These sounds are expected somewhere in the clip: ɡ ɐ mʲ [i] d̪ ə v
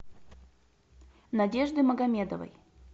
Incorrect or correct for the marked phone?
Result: incorrect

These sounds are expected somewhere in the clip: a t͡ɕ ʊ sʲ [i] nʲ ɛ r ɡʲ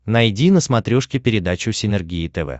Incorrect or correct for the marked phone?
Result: incorrect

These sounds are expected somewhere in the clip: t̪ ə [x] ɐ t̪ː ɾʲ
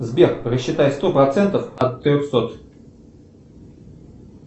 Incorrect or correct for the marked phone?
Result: incorrect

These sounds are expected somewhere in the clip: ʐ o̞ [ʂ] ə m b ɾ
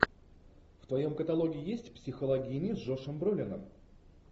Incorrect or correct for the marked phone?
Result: correct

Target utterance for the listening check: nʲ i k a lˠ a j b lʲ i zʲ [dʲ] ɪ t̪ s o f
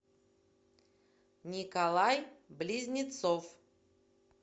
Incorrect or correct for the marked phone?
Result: incorrect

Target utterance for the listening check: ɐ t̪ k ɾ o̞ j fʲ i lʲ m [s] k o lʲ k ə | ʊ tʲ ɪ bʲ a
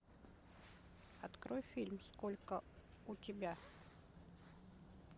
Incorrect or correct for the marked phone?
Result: correct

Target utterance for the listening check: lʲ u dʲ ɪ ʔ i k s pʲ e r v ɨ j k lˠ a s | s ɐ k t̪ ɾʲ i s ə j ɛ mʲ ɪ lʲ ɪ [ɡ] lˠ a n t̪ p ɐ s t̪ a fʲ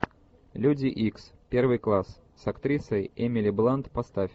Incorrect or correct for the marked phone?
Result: incorrect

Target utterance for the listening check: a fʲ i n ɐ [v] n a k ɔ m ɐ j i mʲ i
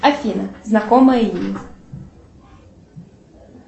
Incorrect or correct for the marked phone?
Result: incorrect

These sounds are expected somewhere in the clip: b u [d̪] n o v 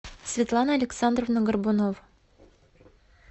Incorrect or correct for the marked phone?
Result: incorrect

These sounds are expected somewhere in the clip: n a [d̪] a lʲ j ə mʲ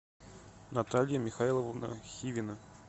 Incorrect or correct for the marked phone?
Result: incorrect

